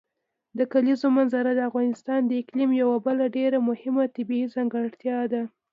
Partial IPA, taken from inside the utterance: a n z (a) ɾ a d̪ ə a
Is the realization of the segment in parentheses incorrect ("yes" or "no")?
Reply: no